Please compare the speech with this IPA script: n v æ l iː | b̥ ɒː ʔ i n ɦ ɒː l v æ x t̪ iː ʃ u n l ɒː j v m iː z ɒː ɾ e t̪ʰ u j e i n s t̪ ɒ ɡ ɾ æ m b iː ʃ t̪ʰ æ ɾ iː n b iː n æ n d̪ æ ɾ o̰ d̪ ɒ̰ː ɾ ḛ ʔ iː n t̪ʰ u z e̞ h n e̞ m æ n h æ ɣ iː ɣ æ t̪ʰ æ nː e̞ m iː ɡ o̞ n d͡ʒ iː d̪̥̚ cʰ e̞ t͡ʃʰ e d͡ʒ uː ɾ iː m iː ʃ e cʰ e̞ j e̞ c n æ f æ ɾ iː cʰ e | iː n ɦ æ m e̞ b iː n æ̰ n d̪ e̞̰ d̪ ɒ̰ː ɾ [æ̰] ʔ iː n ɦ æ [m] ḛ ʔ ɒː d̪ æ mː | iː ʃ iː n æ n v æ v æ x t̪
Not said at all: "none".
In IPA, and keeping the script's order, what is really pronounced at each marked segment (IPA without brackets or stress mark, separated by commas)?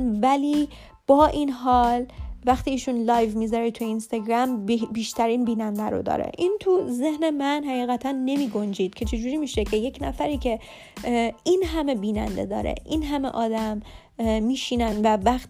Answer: ḛ, m